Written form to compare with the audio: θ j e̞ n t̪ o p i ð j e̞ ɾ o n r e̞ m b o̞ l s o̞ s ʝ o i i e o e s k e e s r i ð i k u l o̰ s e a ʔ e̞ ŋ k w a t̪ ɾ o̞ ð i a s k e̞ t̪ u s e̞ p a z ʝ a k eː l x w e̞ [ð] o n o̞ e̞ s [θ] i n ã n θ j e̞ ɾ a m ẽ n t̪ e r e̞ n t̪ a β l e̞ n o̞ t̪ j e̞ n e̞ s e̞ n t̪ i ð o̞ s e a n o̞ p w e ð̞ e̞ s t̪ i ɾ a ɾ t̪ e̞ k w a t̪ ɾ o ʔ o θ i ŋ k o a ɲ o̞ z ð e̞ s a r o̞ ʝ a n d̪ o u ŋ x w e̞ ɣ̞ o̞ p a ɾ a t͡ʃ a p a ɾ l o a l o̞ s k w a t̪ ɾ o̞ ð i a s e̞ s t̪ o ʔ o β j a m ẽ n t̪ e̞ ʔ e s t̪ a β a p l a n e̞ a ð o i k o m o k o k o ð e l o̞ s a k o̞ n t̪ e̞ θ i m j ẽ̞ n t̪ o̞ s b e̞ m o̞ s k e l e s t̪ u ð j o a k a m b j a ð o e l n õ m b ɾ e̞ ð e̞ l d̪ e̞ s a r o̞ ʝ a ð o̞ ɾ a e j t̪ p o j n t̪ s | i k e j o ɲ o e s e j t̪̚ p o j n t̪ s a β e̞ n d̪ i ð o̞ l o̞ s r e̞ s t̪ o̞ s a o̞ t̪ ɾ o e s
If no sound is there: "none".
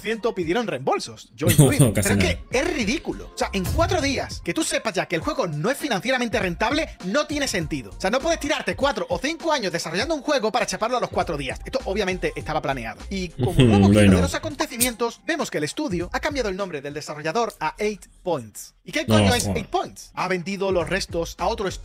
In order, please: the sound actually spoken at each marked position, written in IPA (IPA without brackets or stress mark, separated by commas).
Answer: ɣ, f